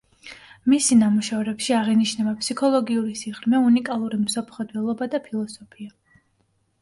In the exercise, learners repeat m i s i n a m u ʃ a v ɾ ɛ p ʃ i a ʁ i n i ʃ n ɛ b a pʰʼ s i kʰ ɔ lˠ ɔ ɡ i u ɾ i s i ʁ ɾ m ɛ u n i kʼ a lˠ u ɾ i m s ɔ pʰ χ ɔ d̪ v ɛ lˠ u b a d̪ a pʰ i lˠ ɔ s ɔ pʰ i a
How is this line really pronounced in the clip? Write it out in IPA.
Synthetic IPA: m i s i n a m u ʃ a v ɾ ɛ p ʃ i a ʁ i n i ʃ n ɛ b a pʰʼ s i kʰ ɔ lˠ ɔ ɡ i u ɾ i s i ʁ ɾ m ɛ u n i kʼ a lˠ u ɾ i m s ɔ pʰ χ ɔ d̪ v ɛ lˠ ɔ b a d̪ a pʰ i lˠ ɔ s ɔ pʰ i a